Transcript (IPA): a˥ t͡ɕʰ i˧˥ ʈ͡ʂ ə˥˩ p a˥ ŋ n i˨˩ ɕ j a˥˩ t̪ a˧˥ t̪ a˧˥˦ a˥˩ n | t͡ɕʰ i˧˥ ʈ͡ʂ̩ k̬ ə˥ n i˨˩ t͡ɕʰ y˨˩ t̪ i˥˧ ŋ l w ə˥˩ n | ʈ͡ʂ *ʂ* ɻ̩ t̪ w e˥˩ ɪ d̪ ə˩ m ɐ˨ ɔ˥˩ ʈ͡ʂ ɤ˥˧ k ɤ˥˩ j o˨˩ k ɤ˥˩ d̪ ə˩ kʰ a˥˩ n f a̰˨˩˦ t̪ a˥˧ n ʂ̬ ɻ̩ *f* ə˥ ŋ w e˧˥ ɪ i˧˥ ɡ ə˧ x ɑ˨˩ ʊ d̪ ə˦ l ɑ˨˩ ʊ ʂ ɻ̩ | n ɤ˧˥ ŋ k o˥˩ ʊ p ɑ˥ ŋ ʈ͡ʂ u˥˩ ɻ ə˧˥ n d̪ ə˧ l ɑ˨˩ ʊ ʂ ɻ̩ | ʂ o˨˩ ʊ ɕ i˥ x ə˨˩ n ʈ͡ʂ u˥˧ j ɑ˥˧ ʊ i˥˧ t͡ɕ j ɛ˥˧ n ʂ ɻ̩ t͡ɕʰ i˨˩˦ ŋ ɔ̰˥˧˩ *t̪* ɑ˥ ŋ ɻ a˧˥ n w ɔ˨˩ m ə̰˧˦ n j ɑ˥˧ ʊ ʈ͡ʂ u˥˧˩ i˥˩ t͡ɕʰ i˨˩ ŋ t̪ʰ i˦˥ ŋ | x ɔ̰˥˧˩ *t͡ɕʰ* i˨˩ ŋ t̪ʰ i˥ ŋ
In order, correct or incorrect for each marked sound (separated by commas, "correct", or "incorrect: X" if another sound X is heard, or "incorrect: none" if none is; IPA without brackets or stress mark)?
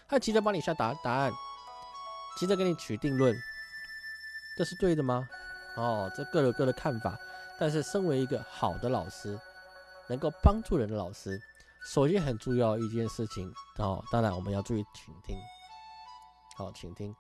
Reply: correct, incorrect: ʂ, correct, correct